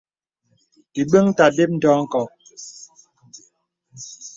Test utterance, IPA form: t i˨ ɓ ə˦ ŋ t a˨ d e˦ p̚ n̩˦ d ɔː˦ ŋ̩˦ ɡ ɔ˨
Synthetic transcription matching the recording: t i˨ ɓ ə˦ ŋ t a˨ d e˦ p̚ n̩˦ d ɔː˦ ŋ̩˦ k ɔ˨